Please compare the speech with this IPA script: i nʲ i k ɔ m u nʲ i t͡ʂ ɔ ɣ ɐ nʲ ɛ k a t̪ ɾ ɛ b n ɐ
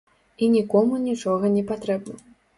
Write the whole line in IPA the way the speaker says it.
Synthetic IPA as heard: i nʲ i k ɔ m u nʲ i t͡ʂ ɔ ɣ ɐ nʲ ɛ p a t̪ ɾ ɛ b n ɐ